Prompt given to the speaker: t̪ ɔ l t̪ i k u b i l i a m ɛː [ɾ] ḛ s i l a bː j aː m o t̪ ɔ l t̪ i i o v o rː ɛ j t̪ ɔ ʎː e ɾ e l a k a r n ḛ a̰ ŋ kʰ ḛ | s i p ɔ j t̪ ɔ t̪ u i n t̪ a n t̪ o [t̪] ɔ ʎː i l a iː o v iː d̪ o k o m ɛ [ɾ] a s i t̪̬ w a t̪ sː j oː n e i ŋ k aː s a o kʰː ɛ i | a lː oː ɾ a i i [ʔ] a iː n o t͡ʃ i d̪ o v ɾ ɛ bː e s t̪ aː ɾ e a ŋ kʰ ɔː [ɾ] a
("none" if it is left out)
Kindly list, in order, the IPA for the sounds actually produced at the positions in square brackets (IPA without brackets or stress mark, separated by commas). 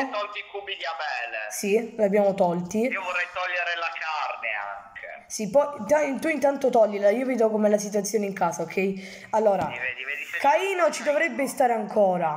l, t̪, l, k, ɾ